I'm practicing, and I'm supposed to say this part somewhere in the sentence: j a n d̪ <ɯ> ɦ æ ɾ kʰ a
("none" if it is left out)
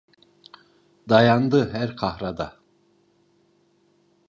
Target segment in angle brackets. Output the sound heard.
ɯ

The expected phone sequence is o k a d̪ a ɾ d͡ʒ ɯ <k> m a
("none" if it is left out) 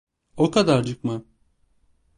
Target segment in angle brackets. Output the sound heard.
k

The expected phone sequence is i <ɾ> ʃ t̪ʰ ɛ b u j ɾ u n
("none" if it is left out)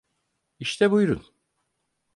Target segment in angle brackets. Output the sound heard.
none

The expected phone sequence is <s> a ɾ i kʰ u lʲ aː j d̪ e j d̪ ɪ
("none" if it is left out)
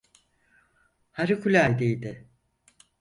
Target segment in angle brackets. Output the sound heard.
h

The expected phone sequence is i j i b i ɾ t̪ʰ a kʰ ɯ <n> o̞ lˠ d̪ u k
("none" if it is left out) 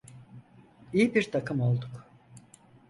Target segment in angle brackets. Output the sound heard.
m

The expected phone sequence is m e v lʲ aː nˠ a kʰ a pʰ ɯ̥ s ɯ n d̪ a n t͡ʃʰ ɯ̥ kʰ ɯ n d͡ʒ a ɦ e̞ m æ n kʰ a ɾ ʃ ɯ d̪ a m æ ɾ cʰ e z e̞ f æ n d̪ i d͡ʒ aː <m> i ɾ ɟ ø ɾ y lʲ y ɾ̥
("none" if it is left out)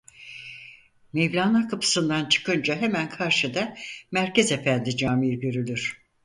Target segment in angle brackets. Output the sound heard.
m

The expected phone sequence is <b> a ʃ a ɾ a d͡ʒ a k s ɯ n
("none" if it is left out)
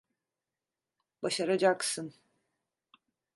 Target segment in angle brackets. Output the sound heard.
b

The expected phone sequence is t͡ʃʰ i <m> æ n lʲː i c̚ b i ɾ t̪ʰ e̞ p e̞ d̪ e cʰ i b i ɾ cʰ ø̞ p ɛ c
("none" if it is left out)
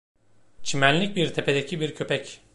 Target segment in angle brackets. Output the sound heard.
m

